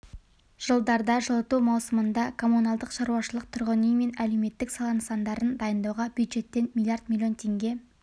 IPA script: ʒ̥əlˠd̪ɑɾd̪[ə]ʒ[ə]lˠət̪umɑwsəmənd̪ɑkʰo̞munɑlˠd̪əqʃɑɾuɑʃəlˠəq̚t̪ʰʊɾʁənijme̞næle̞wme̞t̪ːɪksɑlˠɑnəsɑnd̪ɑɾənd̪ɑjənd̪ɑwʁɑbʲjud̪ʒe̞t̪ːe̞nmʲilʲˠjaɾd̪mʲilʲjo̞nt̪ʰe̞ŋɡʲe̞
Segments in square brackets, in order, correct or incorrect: incorrect: ɑ, correct

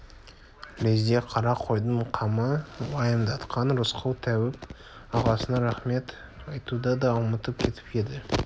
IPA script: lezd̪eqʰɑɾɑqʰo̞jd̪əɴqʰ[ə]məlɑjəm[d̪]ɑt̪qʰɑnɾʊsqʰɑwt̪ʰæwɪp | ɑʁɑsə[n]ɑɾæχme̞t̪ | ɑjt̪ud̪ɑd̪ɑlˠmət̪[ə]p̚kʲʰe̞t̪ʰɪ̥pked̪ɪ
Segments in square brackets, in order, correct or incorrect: incorrect: ɑ, correct, correct, correct

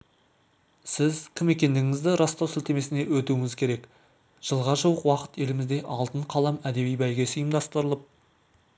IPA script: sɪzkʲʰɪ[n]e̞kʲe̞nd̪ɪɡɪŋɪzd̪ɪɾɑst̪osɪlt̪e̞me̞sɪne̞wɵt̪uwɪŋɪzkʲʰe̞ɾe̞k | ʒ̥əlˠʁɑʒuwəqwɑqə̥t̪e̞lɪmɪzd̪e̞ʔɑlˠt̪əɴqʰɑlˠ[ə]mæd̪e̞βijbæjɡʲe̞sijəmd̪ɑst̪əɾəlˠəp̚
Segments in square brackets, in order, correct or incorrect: incorrect: m, incorrect: ɑ

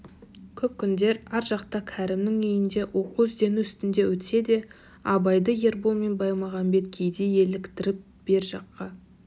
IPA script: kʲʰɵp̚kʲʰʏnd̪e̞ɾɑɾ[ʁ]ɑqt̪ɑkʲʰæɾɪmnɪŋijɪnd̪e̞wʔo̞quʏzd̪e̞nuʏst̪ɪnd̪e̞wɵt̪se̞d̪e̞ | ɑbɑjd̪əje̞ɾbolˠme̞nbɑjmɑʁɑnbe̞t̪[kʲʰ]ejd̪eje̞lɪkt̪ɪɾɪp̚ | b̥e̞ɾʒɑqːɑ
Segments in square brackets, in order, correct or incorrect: incorrect: ʒ, correct

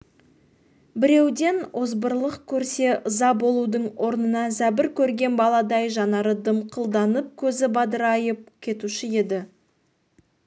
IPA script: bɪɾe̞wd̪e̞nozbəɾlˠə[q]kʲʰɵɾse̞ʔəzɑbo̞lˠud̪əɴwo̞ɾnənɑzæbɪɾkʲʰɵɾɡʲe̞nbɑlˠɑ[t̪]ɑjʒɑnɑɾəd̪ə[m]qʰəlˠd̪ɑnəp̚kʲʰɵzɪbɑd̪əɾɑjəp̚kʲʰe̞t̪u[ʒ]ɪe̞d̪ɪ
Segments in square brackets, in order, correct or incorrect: correct, incorrect: d̪, correct, incorrect: ʃ

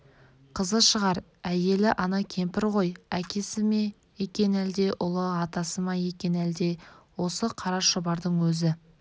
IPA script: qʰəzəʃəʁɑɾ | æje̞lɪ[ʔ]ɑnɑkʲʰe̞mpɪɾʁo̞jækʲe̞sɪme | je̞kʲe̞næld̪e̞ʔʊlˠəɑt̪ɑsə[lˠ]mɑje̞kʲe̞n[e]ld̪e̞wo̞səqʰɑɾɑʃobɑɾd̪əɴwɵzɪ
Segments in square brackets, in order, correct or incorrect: correct, incorrect: none, incorrect: æ

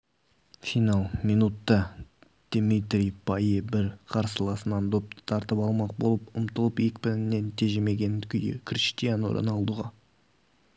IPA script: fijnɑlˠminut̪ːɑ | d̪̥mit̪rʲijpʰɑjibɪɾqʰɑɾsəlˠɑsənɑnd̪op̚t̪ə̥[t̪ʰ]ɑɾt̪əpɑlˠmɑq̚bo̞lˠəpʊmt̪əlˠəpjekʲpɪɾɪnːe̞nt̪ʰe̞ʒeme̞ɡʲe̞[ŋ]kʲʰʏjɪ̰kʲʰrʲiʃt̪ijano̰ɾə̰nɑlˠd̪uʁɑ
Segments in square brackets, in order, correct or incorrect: correct, incorrect: n

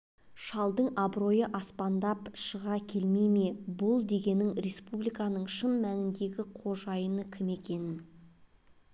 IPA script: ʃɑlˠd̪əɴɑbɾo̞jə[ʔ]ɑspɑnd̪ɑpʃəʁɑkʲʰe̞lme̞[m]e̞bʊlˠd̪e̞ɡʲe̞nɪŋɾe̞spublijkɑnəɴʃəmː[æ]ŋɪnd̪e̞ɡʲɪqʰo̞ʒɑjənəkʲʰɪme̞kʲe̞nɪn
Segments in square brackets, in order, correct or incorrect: correct, correct, correct

